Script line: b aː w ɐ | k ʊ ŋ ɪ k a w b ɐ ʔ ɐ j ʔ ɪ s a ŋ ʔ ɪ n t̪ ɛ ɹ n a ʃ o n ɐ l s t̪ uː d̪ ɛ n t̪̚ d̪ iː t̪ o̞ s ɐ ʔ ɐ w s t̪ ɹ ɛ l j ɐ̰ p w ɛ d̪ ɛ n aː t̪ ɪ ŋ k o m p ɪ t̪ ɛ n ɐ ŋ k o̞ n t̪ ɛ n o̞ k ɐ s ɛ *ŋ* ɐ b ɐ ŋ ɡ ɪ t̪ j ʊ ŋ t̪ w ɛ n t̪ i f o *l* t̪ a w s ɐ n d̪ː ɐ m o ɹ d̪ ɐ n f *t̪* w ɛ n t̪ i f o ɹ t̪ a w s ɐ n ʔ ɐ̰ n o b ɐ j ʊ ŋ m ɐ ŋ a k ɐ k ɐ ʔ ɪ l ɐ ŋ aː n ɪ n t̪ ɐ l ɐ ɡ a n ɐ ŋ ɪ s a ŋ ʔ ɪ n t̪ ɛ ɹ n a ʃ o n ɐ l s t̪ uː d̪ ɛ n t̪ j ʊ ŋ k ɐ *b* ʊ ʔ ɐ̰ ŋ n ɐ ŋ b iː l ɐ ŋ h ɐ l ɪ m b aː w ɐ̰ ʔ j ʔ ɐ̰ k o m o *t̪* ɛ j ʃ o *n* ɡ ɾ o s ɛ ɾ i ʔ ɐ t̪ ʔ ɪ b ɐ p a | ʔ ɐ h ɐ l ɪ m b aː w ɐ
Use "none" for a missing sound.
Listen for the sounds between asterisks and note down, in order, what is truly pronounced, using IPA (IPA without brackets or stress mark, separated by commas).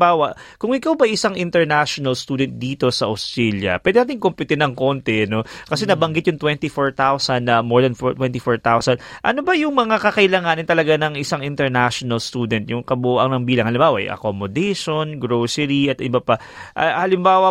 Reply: n, ɹ, t̪, b, d̪, n